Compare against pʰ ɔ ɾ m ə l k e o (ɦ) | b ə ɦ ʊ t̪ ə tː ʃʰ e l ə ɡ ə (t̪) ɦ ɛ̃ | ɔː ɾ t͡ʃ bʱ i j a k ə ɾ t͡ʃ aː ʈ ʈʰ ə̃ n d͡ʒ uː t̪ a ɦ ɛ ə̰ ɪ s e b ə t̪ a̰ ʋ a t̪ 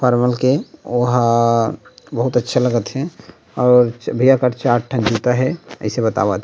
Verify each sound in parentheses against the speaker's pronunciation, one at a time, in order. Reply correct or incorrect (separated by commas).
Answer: correct, correct